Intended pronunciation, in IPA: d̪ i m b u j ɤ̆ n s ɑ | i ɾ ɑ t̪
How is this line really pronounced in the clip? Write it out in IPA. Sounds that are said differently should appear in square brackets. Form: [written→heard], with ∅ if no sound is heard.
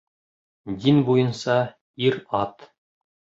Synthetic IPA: d̪ i [m→n] b u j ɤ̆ n s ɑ | i ɾ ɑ t̪

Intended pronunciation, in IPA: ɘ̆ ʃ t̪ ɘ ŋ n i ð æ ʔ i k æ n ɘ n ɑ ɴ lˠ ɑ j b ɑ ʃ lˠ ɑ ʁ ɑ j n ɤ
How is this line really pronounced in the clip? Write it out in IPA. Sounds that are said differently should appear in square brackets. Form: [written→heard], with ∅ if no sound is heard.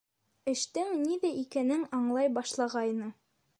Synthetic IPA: ɘ̆ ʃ t̪ ɘ ŋ n i ð æ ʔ i k æ n ɘ [n→ŋ] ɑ ɴ lˠ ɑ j b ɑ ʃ lˠ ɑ ʁ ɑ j n ɤ

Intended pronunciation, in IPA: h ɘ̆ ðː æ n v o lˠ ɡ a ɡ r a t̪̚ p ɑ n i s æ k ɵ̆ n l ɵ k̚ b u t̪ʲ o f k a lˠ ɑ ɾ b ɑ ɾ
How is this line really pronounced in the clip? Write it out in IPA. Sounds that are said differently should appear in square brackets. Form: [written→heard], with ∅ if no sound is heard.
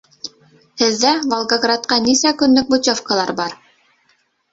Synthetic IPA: h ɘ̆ ðː æ [n→∅] v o lˠ ɡ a ɡ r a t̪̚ [p→q] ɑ n i s æ k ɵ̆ n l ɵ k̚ b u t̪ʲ o f k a lˠ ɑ ɾ b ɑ ɾ

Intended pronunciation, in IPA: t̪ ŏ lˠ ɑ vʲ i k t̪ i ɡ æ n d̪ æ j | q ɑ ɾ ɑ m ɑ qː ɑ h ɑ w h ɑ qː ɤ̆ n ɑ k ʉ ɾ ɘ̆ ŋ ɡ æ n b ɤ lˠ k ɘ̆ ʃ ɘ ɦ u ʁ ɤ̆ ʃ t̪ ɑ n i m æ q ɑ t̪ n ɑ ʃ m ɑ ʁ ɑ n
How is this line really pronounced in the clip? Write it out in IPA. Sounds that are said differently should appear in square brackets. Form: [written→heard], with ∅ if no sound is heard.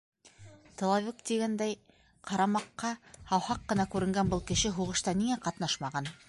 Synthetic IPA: t̪ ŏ lˠ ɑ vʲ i k t̪ i ɡ æ n d̪ æ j | q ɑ ɾ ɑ m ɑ qː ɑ h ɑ w h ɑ qː ɤ̆ n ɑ k ʉ ɾ ɘ̆ ŋ ɡ æ n b ɤ lˠ k ɘ̆ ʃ ɘ ɦ u ʁ ɤ̆ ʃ t̪ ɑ n i [m→ŋ] æ q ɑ t̪ n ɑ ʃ m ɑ ʁ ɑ n

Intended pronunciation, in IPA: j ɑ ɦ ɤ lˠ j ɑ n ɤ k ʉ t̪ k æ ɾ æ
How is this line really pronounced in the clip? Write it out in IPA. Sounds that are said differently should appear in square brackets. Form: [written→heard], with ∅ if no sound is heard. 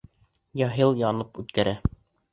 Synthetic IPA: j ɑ ɦ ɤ lˠ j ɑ n ɤ [k→p] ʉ t̪ k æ ɾ æ

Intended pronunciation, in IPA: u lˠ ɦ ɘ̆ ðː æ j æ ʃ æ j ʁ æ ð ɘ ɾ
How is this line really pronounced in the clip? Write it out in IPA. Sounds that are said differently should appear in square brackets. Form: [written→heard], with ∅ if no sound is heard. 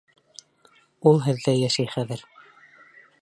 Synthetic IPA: u lˠ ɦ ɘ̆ ðː æ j æ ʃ æ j [ʁ→χ] æ ð ɘ ɾ

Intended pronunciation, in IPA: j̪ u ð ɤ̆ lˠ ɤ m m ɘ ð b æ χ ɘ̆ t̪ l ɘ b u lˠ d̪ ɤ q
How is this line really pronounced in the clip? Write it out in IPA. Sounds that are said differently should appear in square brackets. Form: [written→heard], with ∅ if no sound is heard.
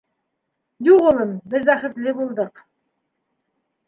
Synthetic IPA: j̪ u [ð→ʁ] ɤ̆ lˠ ɤ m [m→b] ɘ ð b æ χ ɘ̆ t̪ l ɘ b u lˠ d̪ ɤ q

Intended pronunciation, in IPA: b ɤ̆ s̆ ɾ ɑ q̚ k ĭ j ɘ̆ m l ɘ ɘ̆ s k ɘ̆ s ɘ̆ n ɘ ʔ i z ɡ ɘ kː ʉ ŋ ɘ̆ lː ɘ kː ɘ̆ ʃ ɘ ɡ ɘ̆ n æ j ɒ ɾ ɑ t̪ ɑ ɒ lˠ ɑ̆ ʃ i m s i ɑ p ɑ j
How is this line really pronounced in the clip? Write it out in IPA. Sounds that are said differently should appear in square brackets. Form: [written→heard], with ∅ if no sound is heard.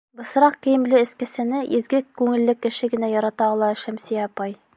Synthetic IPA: b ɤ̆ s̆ ɾ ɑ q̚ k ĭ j ɘ̆ m l ɘ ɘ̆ s k ɘ̆ s ɘ̆ n ɘ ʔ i z ɡ ɘ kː ʉ ŋ ɘ̆ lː ɘ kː ɘ̆ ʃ ɘ ɡ ɘ̆ n æ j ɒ ɾ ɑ t̪ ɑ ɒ lˠ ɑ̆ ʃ [i→æ] m s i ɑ p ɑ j

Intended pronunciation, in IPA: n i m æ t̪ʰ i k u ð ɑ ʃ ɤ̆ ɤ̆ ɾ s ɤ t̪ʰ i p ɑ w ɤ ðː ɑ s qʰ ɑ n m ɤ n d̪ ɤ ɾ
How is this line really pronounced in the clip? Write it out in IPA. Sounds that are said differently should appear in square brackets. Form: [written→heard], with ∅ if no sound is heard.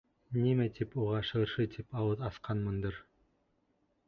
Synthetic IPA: n i m æ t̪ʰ i [k→p] u [ð→ʁ] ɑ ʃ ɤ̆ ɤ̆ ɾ [s→ʃ] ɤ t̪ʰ i p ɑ w ɤ [ðː→ð] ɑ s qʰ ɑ n m ɤ n d̪ ɤ ɾ

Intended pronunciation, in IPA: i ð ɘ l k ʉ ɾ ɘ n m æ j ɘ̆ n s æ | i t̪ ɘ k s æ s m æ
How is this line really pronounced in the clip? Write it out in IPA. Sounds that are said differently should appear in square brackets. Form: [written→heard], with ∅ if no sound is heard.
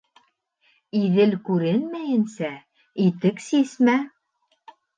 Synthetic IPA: i ð ɘ l k ʉ ɾ ɘ n m æ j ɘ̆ n s æ | i t̪ ɘ k s [æ→i] s m æ

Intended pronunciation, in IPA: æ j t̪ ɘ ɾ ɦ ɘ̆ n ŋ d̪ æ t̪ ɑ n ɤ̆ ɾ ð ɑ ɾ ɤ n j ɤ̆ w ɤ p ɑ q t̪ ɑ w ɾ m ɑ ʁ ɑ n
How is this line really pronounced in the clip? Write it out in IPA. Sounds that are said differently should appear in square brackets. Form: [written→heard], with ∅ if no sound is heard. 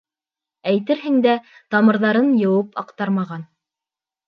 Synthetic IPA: æ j t̪ ɘ ɾ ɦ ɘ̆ [n→∅] ŋ d̪ æ t̪ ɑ [n→m] ɤ̆ ɾ ð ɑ ɾ ɤ n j ɤ̆ w ɤ p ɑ q t̪ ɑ [w→∅] ɾ m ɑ ʁ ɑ n

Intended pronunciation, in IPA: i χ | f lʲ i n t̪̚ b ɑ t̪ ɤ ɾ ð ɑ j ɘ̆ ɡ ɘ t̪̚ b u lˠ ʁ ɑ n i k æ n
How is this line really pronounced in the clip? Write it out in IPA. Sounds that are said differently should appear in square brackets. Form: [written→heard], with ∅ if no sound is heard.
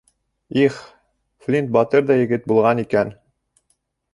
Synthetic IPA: i χ | f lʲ i n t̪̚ b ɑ t̪ ɤ ɾ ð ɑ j ɘ̆ ɡ ɘ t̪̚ b u lˠ ʁ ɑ n i k æ n

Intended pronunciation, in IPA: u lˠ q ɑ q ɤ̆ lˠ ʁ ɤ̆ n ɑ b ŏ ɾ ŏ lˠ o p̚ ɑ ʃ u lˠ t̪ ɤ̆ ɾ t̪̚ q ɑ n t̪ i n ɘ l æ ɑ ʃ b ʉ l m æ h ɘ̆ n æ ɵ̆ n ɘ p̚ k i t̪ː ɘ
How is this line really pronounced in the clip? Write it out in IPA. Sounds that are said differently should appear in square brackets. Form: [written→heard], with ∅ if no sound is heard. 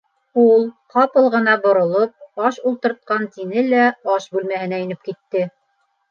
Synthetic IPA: u lˠ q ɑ [q→p] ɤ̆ lˠ ʁ ɤ̆ n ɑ b ŏ ɾ ŏ lˠ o p̚ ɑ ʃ u lˠ t̪ ɤ̆ ɾ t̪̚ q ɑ n t̪ i n ɘ l æ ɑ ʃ b ʉ l m æ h ɘ̆ n æ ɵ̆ n ɘ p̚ k i t̪ː ɘ

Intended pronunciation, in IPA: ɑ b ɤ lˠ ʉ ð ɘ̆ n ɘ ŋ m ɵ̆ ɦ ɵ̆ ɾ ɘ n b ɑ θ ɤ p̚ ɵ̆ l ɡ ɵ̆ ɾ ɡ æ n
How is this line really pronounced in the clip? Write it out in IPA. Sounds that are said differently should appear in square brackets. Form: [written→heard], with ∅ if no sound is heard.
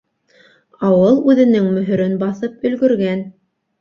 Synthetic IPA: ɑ [b→w] ɤ lˠ ʉ ð ɘ̆ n ɘ ŋ m ɵ̆ ɦ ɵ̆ ɾ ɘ n b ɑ θ ɤ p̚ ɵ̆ l ɡ ɵ̆ ɾ ɡ æ n

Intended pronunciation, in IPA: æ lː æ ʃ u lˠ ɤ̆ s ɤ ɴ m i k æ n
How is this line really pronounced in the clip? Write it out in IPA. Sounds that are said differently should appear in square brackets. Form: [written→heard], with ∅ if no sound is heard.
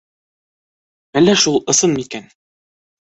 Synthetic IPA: æ lː æ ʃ u lˠ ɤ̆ s ɤ [ɴ→n] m i k æ n

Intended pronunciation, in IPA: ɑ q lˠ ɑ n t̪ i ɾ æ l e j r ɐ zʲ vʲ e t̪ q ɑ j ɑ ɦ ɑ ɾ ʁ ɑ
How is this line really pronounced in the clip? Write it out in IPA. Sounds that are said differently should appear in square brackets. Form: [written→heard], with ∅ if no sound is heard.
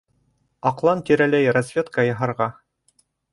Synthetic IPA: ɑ q lˠ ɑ n t̪ i ɾ æ l [e→æ] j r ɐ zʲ vʲ e t̪ [q→k] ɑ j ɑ ɦ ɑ ɾ ʁ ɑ

